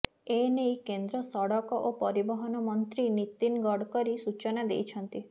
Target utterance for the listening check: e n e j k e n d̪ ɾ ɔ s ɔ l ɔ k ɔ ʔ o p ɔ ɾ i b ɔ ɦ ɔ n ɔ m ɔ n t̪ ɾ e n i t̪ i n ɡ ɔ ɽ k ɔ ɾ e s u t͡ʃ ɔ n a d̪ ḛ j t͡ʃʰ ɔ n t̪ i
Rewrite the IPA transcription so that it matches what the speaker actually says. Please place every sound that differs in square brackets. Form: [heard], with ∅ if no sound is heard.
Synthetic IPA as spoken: e n e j k e n d̪ ɾ ɔ s ɔ [ɽ] ɔ k ɔ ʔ o p ɔ ɾ i b ɔ ɦ ɔ n ɔ m ɔ n t̪ ɾ [i] n i t̪ i n ɡ ɔ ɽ k ɔ ɾ [i] s u t͡ʃ ɔ n a d̪ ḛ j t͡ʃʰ ɔ n t̪ i